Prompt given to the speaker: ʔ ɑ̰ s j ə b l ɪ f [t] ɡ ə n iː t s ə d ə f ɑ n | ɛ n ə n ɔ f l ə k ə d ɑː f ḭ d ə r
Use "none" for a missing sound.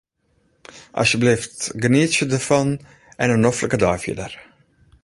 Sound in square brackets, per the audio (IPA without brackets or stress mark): t